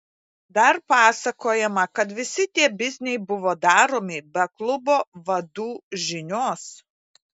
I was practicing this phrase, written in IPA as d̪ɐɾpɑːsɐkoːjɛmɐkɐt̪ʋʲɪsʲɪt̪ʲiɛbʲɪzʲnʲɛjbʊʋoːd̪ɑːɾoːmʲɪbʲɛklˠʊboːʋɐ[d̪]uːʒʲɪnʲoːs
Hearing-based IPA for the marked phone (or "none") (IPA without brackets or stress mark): d̪